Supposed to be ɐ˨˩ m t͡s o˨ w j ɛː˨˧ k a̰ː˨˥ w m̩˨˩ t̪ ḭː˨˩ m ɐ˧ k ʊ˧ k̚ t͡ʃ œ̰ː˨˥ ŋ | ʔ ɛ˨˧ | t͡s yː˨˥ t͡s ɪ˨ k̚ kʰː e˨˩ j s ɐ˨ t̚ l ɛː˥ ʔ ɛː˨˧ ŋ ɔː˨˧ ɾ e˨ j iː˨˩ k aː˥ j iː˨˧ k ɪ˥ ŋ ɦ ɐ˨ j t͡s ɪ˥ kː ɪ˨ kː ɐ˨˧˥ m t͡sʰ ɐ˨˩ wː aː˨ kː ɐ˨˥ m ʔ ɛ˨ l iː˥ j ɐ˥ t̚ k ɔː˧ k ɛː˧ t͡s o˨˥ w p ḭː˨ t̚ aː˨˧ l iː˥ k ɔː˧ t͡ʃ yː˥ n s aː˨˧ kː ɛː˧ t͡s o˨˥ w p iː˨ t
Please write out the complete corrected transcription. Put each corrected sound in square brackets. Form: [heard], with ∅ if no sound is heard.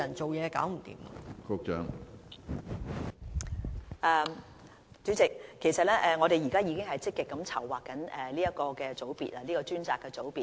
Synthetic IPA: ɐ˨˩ [n] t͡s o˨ w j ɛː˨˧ k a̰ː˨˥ w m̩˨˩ t̪ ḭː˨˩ m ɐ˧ k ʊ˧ k̚ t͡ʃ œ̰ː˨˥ ŋ | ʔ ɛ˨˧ | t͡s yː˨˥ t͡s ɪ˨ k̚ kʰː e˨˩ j s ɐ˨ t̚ l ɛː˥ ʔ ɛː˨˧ ŋ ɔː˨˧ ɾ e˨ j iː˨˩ k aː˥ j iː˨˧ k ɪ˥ ŋ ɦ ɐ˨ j t͡s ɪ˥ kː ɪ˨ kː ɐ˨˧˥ m t͡sʰ ɐ˨˩ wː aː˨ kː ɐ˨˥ [n] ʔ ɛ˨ l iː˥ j ɐ˥ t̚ k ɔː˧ k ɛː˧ t͡s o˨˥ w p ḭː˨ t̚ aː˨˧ l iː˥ k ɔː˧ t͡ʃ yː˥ n [t͡s] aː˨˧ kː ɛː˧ t͡s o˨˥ w p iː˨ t